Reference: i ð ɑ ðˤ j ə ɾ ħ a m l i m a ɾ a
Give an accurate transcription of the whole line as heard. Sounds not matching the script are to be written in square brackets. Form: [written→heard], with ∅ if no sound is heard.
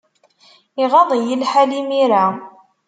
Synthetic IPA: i [ð→ʁ] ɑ ðˤ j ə [ɾ→l] ħ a [m→∅] l i m [a→i] ɾ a

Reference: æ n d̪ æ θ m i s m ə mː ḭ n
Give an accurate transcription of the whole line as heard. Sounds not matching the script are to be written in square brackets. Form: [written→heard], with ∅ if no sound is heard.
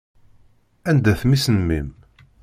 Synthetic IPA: æ n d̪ æ θ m i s [m→n] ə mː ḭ [n→m]

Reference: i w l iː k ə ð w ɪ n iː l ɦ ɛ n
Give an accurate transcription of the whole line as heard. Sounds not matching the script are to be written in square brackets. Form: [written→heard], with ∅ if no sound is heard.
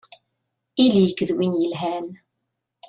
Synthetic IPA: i [w→∅] l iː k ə ð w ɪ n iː l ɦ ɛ n

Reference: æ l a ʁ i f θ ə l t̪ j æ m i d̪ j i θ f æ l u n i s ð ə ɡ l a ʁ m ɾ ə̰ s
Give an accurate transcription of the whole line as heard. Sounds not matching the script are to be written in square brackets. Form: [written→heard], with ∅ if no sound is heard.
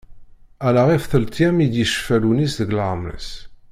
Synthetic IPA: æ l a ʁ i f θ ə l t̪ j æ m i d̪ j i [θ→ʃ] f æ l u n i s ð ə ɡ l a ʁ m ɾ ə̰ s

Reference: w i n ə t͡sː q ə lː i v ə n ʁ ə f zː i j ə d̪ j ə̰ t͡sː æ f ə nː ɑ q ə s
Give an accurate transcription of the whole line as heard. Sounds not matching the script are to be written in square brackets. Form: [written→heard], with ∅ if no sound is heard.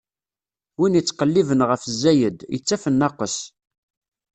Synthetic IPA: w i n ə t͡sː q ə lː i v ə n ʁ ə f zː [i→æ] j ə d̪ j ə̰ t͡sː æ f ə nː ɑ q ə s

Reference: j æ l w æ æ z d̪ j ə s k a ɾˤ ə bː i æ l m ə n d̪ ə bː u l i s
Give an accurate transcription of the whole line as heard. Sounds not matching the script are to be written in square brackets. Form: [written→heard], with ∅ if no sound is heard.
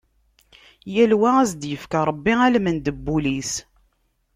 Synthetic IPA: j æ l w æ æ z d̪ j ə [s→f] k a ɾˤ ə bː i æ l m ə n d̪ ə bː u l i s

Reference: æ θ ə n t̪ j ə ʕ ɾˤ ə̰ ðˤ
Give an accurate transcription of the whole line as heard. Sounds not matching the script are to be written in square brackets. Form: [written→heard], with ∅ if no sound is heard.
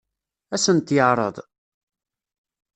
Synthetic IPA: æ [θ→s] ə n t̪ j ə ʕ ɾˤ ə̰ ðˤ

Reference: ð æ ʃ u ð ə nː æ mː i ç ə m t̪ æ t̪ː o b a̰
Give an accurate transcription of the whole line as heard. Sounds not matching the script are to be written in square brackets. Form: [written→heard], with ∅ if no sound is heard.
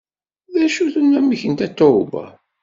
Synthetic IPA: ð æ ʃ u [ð→θ] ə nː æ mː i ç ə [m→n] t̪ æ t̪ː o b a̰

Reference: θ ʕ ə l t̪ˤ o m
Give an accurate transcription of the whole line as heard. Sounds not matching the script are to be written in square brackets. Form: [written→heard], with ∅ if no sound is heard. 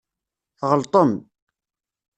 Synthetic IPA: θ [ʕ→ʁ] ə l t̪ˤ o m

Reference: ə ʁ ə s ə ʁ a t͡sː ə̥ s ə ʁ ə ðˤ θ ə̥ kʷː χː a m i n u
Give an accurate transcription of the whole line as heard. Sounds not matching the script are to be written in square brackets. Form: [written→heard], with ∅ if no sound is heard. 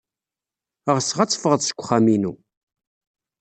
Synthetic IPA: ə ʁ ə s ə ʁ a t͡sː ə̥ [s→f] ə ʁ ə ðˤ [θ→s] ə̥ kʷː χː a m i n u

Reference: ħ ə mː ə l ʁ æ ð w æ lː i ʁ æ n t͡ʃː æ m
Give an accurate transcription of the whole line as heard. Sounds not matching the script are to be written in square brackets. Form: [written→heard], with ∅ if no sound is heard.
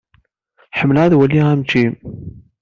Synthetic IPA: ħ ə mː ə l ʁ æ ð w æ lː i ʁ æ [n→m] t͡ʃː [æ→i] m

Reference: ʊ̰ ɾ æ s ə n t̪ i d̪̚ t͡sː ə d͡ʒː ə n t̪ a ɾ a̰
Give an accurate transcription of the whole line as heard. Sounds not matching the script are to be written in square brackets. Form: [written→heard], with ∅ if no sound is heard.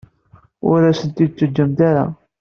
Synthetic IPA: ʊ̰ ɾ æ s ə n t̪ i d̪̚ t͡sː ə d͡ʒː ə [n→m] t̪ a ɾ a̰

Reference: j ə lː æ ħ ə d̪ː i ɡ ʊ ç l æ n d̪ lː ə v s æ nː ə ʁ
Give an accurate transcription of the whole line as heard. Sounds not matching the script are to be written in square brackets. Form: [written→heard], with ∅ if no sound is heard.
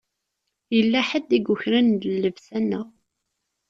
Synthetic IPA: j ə lː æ ħ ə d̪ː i ɡ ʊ ç [l→ɾ] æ n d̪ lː ə v s æ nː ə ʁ

